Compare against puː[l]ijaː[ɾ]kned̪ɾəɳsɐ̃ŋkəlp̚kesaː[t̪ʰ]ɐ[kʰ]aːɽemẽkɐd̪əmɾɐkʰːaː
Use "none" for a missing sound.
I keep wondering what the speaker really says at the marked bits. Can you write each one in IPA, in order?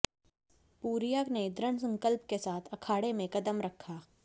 ɾ, none, t̪ʰ, kʰ

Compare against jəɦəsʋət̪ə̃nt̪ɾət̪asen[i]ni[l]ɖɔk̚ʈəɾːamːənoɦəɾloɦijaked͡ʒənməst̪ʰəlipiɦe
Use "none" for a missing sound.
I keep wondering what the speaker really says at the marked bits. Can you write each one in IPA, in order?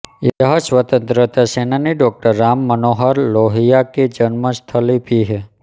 a, none

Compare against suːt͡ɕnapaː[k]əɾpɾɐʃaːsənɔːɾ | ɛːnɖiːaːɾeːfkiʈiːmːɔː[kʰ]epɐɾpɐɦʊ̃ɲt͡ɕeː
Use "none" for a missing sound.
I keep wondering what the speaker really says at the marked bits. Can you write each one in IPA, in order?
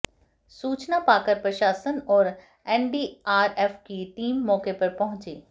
k, k

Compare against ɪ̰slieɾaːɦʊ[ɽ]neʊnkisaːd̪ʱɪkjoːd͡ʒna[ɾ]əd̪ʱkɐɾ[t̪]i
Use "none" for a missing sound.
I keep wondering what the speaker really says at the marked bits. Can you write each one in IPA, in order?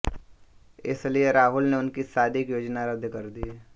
l, ɾ, d̪

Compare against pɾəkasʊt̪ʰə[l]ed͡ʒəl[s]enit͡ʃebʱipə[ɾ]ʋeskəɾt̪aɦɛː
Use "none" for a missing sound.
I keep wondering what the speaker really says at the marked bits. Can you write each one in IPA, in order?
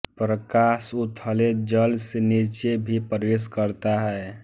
l, s, ɾ

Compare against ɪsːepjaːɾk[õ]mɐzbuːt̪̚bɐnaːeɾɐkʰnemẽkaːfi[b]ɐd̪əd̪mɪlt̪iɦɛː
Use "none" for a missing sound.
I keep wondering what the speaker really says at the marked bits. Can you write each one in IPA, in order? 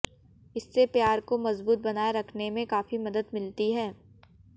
o, m

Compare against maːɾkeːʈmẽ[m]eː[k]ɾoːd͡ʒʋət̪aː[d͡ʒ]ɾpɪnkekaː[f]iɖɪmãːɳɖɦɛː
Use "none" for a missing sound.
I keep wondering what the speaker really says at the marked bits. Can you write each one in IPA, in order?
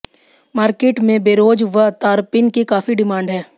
b, none, none, f

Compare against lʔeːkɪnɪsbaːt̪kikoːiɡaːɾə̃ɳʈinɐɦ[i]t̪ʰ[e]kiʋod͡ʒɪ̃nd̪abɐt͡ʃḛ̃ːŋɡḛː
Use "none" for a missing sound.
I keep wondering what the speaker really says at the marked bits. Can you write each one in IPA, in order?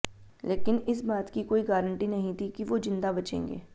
ĩ, i

